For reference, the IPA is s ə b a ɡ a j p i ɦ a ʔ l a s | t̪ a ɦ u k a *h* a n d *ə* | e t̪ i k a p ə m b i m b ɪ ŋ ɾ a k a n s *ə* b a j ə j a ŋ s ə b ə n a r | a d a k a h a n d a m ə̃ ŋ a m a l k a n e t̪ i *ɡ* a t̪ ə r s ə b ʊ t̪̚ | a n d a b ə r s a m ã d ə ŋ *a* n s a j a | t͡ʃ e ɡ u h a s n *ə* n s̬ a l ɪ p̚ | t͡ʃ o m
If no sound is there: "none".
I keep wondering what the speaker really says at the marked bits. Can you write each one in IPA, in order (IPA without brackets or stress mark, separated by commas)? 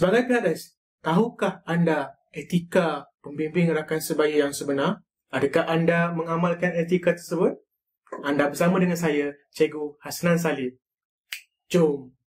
h, a, ə, k, a, a